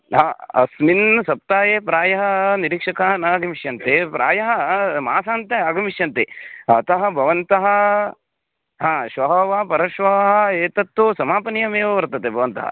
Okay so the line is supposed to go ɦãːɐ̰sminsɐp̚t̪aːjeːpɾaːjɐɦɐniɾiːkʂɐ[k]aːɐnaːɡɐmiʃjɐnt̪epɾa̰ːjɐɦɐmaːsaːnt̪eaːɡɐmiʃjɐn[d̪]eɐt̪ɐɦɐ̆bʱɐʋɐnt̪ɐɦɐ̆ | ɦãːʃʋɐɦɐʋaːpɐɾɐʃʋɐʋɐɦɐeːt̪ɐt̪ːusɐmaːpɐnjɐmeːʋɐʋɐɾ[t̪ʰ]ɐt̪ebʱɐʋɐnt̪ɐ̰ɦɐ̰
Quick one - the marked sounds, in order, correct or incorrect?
correct, incorrect: t̪, incorrect: t̪

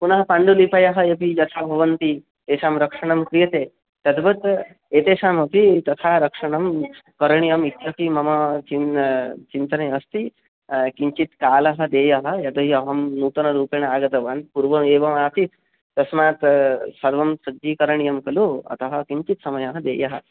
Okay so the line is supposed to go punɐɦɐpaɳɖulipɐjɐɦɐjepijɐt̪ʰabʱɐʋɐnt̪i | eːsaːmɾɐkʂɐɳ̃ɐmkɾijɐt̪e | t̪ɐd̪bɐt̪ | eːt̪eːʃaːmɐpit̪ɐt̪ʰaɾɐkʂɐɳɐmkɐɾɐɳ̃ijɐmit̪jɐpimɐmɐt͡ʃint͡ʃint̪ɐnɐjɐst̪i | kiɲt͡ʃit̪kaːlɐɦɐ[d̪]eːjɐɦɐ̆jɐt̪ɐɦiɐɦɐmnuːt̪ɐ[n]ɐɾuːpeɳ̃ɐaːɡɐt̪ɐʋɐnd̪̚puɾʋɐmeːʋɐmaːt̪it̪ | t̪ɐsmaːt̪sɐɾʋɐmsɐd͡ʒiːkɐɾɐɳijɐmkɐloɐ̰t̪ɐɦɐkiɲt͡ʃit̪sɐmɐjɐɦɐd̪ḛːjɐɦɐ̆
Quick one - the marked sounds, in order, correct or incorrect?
correct, correct

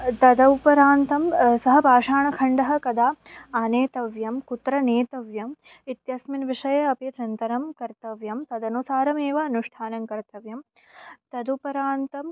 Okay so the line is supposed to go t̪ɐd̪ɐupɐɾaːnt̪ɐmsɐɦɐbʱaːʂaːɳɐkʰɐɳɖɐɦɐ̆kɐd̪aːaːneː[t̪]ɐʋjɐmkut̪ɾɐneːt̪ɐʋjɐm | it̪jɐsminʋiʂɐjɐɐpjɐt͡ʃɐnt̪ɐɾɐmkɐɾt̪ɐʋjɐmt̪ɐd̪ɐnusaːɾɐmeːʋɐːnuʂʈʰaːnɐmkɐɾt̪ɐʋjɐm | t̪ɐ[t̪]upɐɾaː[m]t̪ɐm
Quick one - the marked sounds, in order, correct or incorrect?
correct, incorrect: d̪, incorrect: n

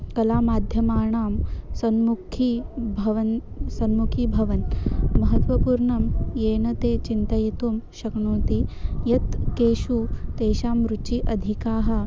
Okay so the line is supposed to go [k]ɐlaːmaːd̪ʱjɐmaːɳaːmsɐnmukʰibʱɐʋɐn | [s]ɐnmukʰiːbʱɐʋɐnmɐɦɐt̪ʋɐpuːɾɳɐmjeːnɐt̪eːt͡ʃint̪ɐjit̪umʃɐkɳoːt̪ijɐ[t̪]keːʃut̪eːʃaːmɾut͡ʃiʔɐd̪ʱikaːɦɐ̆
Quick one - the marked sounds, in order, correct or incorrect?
correct, correct, correct

